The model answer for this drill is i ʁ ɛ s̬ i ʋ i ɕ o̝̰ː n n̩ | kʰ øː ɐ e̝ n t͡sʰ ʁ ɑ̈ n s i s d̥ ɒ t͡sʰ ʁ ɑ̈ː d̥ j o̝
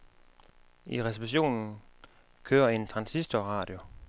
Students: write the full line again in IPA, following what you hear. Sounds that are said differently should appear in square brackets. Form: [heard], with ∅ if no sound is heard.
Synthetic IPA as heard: i ʁ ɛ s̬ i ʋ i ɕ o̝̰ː n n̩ | kʰ øː ɐ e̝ n t͡sʰ ʁ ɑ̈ n s i s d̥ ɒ [∅] ʁ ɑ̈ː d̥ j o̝

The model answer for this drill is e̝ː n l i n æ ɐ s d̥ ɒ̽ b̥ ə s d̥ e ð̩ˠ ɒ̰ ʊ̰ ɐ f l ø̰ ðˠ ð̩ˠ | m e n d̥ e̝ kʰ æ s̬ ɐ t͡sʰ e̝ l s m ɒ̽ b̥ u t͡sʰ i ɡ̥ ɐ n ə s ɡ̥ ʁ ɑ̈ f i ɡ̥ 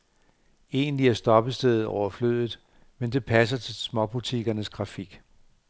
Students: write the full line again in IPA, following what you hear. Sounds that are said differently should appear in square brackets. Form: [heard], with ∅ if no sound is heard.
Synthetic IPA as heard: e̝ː n l i [∅] æ ɐ s d̥ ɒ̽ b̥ ə s d̥ e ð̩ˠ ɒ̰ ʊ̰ ɐ f l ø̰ ðˠ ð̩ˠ | m e n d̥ e̝ [pʰ] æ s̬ ɐ t͡sʰ e̝ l s m ɒ̽ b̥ u t͡sʰ i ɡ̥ ɐ n ə s ɡ̥ ʁ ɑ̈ f i ɡ̥

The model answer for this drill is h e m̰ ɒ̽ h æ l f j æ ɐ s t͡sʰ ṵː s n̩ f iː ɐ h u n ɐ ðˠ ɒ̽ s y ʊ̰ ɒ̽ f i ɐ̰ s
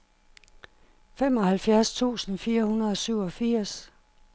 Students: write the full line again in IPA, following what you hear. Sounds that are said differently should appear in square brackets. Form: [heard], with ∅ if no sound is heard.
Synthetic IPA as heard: [f] e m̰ ɒ̽ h æ l f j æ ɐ s t͡sʰ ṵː s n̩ f iː ɐ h u n ɐ ðˠ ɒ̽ s y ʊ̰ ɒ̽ f i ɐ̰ s

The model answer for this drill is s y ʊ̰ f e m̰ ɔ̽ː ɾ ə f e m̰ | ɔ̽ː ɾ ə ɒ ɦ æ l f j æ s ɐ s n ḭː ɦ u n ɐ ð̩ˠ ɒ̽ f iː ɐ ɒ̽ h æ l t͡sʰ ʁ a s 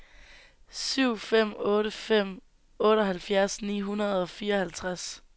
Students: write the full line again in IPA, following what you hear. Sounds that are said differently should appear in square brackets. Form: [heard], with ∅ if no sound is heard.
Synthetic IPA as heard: s y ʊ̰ f e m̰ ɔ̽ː ɾ ə f e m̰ | ɔ̽ː ɾ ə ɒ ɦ æ l f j æ [∅] ɐ s n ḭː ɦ u n ɐ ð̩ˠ ɒ̽ f iː ɐ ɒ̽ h æ l t͡sʰ ʁ a s

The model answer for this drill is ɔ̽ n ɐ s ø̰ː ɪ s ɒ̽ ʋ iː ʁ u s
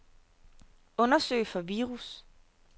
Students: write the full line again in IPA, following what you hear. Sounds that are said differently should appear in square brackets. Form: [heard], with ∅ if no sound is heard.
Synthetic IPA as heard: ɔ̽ n ɐ s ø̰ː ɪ [f] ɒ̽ ʋ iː ʁ u s

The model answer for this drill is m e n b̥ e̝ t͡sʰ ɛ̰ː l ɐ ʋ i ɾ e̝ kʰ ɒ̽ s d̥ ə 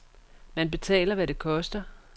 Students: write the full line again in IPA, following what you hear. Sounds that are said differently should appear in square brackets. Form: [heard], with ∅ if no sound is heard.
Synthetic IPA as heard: m [æ] n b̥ e̝ t͡sʰ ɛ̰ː l ɐ ʋ [æ] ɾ e̝ kʰ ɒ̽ s d̥ [ɐ]

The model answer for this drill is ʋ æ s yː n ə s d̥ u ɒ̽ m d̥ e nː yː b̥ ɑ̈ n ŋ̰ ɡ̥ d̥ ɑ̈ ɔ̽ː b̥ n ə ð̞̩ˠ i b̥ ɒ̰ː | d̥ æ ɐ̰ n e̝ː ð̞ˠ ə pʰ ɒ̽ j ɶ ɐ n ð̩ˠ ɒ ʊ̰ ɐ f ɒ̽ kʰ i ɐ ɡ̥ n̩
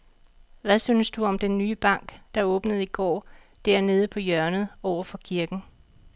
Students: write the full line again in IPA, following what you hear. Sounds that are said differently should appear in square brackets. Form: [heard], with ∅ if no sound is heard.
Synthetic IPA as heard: ʋ æ s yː n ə s d̥ u ɒ̽ m d̥ e nː yː b̥ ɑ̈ [∅] ŋ̰ ɡ̥ d̥ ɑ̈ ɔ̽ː b̥ n ə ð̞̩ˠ i [ɡ̥] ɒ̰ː | d̥ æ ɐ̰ n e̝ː ð̞ˠ ə pʰ ɒ̽ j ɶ ɐ n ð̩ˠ ɒ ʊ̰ ɐ f ɒ̽ kʰ i ɐ ɡ̥ n̩

